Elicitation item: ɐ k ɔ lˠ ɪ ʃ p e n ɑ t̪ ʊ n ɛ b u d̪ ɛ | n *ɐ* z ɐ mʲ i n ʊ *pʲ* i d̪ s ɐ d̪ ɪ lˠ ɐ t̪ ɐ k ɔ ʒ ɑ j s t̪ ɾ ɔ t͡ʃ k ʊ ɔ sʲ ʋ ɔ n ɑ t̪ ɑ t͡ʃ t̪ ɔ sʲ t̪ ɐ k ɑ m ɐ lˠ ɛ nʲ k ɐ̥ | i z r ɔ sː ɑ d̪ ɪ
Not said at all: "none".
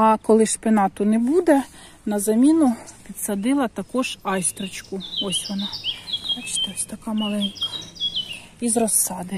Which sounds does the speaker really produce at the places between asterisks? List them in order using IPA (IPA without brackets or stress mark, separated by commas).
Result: ɐ, pʲ